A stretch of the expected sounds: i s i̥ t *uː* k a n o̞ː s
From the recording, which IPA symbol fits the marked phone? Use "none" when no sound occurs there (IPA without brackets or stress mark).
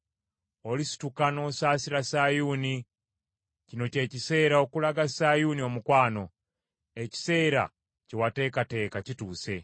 u